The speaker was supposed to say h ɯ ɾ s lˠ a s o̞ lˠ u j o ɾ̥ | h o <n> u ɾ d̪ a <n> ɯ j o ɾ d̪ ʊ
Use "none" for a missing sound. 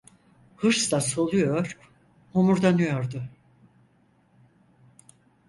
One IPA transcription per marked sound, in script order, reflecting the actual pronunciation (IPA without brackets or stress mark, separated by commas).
m, n